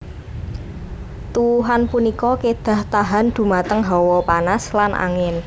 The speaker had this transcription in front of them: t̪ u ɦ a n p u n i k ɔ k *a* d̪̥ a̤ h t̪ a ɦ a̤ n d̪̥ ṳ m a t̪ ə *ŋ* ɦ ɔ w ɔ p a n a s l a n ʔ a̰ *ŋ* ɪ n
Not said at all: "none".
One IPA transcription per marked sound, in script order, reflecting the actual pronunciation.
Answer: e, ŋ, ŋ

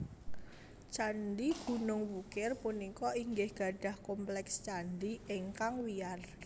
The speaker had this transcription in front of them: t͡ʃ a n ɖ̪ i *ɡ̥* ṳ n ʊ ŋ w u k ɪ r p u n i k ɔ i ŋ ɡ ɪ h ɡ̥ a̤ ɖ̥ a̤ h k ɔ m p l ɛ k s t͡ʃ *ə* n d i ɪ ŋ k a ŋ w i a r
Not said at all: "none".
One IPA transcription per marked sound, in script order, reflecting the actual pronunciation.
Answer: ɡ̥, a

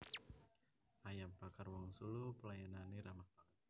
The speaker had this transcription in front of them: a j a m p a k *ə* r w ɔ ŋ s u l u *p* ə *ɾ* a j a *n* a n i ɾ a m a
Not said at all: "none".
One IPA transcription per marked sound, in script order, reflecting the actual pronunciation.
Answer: a, p, l, n

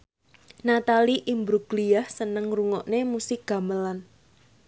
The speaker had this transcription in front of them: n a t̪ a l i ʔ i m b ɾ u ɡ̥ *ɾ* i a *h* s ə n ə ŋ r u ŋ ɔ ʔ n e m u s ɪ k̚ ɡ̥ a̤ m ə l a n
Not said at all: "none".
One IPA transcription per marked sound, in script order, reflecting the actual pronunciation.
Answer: l, h

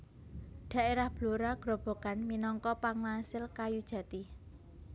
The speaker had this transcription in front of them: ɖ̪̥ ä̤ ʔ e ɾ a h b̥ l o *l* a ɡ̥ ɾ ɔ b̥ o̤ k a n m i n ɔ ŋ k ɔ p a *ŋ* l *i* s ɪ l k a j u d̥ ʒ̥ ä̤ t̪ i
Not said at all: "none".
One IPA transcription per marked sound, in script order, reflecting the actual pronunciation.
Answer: ɾ, ŋ, a

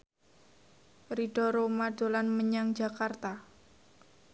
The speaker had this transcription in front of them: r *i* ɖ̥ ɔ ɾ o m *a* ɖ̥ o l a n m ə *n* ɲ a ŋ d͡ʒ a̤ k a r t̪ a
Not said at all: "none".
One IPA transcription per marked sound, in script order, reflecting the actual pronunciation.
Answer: i, a, none

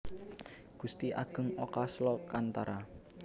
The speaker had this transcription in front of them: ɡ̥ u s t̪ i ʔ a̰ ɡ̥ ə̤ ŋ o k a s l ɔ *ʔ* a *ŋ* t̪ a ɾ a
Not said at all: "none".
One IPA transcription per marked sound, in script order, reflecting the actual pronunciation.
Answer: k, n

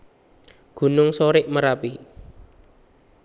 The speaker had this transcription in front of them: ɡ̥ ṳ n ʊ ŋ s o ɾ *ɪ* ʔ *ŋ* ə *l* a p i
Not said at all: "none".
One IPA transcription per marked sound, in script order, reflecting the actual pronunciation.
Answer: ɪ, m, ɾ

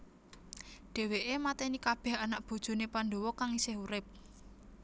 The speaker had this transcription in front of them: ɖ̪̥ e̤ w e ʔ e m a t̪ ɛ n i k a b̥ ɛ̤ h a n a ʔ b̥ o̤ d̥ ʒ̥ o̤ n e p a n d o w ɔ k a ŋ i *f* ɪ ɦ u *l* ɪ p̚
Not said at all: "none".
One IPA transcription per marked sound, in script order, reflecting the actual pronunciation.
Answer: s, ɾ

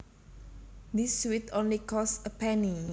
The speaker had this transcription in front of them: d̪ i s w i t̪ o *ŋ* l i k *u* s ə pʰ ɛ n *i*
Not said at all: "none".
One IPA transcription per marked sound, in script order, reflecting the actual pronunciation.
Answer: n, ɔ, i

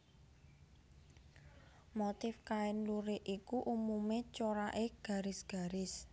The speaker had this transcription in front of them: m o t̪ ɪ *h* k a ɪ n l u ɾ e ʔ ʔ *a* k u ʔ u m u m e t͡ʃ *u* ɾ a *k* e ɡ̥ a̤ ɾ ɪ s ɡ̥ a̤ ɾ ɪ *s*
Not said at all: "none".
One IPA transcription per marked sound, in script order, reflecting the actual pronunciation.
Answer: f, i, o, ʔ, s

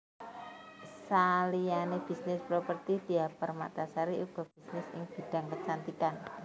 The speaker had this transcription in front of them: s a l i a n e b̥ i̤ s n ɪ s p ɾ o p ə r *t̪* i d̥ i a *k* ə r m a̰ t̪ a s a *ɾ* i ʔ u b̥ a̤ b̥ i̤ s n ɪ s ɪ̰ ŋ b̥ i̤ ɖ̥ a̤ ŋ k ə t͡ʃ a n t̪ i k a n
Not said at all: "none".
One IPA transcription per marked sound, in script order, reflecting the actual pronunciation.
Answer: t̪, p, ɾ

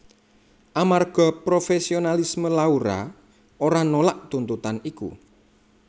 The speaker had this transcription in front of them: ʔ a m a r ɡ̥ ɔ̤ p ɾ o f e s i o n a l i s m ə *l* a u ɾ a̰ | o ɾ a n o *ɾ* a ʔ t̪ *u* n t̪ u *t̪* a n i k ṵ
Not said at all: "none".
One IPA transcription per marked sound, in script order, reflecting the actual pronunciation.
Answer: l, l, u, t̪

